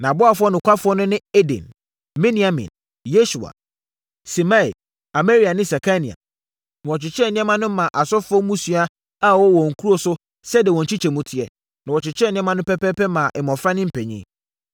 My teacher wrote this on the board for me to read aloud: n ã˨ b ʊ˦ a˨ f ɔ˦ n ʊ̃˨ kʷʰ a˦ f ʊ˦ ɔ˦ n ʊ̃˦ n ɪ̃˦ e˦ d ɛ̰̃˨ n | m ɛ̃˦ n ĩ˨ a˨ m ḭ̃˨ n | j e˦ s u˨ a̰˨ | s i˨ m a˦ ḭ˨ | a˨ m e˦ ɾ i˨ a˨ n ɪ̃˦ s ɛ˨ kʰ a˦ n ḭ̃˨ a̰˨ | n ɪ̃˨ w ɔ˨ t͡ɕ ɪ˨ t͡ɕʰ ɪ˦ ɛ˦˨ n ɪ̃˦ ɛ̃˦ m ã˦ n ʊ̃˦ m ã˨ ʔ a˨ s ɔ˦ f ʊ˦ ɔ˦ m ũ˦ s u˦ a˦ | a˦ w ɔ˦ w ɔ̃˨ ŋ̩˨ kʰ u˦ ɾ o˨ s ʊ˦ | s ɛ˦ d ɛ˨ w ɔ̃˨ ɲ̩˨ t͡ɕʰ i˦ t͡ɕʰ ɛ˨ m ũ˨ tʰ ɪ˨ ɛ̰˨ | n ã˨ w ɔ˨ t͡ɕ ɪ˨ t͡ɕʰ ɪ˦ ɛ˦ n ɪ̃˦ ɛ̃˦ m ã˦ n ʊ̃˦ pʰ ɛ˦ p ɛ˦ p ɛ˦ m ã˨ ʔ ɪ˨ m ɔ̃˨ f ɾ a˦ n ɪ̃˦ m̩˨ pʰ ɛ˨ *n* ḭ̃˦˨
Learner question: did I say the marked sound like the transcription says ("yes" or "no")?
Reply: no